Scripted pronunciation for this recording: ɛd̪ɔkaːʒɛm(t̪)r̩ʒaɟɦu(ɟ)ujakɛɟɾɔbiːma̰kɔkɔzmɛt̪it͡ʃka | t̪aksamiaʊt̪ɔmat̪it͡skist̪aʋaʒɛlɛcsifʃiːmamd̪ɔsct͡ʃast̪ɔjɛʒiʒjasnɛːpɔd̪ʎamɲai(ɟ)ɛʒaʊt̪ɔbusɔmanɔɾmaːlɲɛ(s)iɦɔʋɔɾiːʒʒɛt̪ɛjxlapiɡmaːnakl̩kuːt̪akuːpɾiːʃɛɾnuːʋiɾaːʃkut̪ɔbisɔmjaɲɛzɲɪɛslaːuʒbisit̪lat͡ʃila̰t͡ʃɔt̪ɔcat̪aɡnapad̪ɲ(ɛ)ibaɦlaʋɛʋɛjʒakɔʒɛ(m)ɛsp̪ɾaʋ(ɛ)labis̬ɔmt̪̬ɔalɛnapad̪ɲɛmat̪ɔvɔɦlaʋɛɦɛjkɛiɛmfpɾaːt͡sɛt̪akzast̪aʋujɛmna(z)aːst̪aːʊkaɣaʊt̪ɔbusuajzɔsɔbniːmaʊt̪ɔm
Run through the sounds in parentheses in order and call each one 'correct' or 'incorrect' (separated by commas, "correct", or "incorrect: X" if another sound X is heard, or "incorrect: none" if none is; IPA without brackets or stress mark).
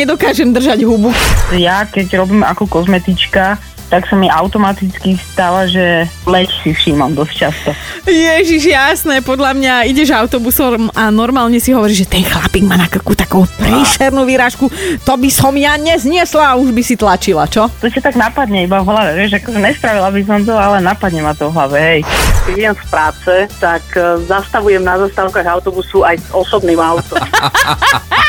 incorrect: d̪, incorrect: b, correct, correct, correct, incorrect: ɲ, incorrect: i, correct